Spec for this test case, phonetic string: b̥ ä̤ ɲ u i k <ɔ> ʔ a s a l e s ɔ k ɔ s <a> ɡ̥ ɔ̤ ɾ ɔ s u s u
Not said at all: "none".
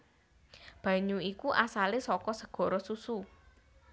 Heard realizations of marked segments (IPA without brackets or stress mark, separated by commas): u, ə